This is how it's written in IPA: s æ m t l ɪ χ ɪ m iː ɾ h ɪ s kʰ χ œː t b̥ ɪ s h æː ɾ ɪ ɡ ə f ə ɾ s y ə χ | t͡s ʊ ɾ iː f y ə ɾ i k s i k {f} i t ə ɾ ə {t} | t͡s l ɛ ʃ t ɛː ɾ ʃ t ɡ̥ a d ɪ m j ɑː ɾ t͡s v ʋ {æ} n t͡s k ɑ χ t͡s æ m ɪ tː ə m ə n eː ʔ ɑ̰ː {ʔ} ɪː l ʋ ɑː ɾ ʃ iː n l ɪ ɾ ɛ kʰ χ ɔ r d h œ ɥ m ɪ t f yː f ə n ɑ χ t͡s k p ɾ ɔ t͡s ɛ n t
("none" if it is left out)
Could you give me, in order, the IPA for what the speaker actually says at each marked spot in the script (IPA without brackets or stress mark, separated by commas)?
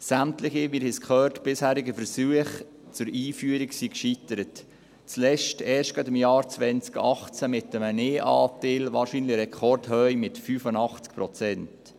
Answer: ʃ, t, ɛ, t